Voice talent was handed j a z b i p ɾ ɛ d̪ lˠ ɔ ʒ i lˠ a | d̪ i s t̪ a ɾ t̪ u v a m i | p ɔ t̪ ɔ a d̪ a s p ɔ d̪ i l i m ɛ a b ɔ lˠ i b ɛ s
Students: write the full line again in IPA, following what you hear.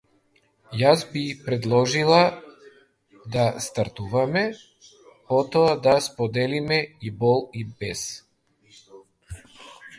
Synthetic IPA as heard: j a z b i p ɾ ɛ d̪ lˠ ɔ ʒ i lˠ a | d̪ a s t̪ a ɾ t̪ u v a m ɛ | p ɔ t̪ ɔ a d̪ a s p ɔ d̪ ɛ l i m ɛ i b ɔ lˠ i b ɛ s